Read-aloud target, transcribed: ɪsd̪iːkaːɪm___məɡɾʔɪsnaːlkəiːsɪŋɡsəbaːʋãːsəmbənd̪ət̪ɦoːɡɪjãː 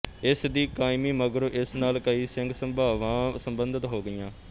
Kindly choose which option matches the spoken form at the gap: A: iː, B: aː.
A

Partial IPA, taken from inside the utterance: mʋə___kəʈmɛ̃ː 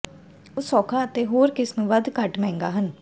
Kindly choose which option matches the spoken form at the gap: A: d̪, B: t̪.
A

